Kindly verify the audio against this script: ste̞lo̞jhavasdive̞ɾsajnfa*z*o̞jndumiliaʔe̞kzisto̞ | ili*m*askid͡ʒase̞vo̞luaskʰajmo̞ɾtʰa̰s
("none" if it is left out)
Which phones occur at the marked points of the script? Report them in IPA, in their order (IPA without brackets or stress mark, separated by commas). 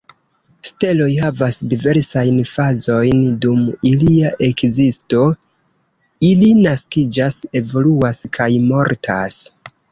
z, n